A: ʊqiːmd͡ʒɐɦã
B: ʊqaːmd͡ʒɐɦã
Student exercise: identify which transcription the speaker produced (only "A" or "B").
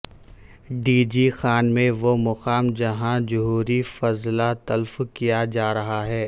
B